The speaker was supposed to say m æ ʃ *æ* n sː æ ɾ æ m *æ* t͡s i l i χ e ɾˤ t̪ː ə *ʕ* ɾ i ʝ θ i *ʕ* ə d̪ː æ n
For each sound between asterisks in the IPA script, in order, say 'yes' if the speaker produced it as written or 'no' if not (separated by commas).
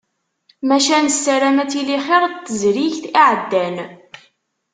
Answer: yes, yes, no, yes